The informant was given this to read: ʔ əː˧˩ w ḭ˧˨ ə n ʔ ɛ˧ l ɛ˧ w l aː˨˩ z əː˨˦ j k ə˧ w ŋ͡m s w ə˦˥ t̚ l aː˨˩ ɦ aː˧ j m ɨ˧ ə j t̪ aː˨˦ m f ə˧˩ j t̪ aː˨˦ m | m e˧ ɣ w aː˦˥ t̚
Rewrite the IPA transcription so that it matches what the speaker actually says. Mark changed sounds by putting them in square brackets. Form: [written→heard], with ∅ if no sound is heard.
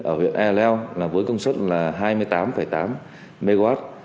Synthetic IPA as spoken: ʔ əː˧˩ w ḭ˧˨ ə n ʔ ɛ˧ l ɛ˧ w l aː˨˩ [z→v] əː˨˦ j k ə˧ w ŋ͡m s w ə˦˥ t̚ l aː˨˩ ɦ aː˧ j m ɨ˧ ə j t̪ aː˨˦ m f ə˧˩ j t̪ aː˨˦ m | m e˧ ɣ w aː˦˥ t̚